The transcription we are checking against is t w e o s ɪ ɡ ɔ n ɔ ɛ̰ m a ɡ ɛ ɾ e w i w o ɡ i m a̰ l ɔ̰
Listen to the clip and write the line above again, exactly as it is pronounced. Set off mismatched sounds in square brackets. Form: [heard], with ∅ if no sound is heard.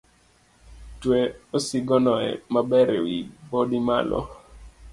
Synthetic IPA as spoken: t w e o s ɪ ɡ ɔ n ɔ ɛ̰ m a [b] ɛ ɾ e w i [b] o [d] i m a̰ l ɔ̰

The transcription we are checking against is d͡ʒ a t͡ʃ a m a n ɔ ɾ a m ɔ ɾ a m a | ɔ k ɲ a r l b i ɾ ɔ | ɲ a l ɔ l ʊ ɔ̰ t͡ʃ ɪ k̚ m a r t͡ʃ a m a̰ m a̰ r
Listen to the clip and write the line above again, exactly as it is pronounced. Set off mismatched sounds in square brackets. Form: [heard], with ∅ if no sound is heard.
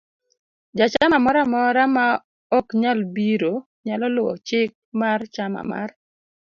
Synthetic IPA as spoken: d͡ʒ a t͡ʃ a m a [m] ɔ ɾ a m ɔ ɾ a m a | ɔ k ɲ a [∅] l b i ɾ [o] | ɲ a l ɔ l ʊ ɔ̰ t͡ʃ ɪ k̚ m a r t͡ʃ a m a̰ m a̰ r

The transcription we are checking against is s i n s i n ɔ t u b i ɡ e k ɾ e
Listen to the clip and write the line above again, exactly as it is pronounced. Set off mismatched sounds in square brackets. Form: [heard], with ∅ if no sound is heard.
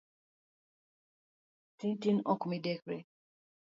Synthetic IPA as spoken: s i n [t] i n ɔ [k] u [m] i [d] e k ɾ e

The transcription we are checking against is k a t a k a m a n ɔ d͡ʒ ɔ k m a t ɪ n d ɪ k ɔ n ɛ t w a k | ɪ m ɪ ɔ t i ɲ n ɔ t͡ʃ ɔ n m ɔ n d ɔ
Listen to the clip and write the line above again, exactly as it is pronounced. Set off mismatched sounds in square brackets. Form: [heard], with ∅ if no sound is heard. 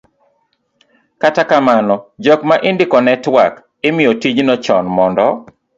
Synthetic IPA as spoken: k a t a k a m a n ɔ d͡ʒ ɔ k m a [ʔ] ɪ n d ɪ k ɔ n ɛ t w a k | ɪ m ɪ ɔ t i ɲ n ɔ t͡ʃ ɔ n m ɔ n d ɔ

